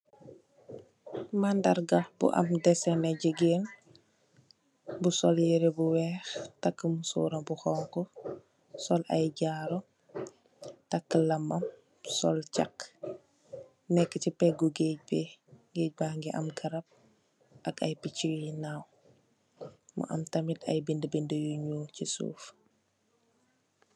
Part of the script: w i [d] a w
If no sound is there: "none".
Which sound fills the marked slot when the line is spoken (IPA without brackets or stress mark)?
n